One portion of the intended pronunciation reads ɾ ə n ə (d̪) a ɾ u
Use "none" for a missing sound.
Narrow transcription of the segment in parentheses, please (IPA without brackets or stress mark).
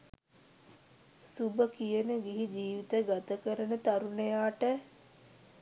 t̪